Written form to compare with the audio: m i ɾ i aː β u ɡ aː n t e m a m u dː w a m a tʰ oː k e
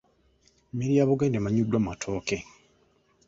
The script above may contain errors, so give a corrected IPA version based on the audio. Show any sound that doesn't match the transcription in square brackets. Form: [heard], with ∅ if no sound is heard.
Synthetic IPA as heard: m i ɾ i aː β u ɡ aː n [d] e m a [ɲ] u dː w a m a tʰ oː k e